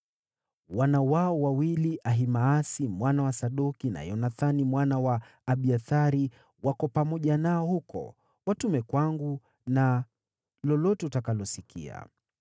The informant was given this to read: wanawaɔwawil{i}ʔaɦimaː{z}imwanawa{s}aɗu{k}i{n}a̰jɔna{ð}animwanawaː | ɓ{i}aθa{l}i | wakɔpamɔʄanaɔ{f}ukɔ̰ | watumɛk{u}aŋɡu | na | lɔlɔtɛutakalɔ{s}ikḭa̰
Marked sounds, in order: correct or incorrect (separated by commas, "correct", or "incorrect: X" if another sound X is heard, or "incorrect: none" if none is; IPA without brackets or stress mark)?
correct, incorrect: s, correct, correct, correct, incorrect: θ, correct, incorrect: ɾ, incorrect: h, incorrect: w, correct